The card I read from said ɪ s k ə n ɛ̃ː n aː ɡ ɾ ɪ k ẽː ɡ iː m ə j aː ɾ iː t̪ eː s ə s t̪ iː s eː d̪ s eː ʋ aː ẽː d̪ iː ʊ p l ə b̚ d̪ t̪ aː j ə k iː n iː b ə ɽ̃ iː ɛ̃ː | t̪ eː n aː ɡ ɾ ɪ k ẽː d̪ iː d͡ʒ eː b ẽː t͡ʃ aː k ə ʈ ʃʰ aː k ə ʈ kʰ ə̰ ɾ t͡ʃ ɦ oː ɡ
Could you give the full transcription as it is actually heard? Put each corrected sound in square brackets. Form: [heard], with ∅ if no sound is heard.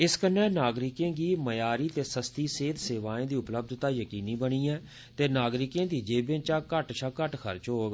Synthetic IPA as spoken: ɪ s k ə n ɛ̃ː n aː ɡ ɾ ɪ k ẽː ɡ iː m ə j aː ɾ iː t̪ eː s ə s t̪ iː s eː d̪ s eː ʋ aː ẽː d̪ iː ʊ p l ə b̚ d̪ t̪ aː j ə k iː n iː b ə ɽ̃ iː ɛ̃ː | t̪ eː n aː ɡ ɾ ɪ k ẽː d̪ iː d͡ʒ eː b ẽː t͡ʃ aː k ə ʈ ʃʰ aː k ə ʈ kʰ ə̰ ɾ t͡ʃ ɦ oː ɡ